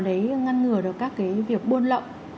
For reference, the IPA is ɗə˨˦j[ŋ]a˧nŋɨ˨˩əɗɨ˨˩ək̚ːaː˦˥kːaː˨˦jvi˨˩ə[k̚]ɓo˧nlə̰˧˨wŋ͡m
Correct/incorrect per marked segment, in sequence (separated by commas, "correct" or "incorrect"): correct, correct